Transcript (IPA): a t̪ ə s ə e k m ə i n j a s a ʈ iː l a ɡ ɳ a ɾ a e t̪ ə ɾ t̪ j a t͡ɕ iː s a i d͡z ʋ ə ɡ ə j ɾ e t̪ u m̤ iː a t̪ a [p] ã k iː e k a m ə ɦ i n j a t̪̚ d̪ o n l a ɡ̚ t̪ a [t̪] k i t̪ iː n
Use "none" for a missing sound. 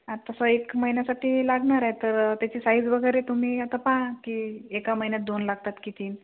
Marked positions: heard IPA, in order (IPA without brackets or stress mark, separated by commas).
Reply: p, t̪